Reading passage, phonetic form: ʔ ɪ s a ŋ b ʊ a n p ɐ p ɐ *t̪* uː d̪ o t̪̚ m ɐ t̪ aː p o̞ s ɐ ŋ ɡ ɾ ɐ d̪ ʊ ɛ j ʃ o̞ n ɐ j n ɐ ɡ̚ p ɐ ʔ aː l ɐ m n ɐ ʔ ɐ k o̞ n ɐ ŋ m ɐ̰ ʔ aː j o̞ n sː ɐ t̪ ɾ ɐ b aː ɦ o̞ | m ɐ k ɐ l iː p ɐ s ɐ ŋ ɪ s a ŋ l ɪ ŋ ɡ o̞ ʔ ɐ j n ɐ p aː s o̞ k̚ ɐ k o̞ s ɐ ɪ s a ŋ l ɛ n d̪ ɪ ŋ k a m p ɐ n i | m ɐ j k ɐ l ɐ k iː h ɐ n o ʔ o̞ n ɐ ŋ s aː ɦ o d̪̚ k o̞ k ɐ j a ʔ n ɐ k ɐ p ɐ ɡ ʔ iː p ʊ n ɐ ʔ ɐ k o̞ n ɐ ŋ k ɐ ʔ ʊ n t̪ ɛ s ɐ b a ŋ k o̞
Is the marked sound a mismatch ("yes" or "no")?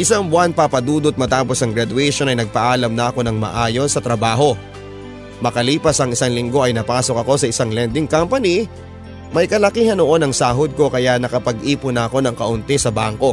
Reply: yes